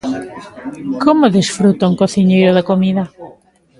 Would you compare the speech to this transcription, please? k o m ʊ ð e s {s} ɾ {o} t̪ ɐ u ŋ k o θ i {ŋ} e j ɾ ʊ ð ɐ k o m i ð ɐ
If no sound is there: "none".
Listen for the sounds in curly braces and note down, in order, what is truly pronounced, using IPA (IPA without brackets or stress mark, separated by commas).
f, u, ɲ